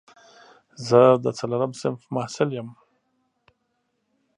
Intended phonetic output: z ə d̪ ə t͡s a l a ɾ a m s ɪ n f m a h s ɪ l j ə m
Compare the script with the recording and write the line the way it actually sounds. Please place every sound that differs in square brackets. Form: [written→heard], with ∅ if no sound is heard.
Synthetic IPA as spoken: z ə d̪ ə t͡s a l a ɾ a m s ɪ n f m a h s ɪ l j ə m